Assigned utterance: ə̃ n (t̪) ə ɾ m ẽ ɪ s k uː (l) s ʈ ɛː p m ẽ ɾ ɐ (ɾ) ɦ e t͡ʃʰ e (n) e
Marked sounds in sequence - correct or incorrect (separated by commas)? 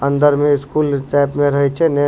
incorrect, correct, incorrect, correct